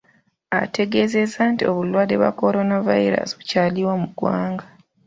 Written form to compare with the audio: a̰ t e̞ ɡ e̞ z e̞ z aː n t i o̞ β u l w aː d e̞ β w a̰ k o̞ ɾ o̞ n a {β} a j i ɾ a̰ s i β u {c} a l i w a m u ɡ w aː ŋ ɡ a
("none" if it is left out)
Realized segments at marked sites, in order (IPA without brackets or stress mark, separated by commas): v, c